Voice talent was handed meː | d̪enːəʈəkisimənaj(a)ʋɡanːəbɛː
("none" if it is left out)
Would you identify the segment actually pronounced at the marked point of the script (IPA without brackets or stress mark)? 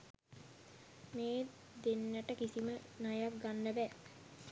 a